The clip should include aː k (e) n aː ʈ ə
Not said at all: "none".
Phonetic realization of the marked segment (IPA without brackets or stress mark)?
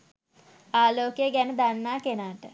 e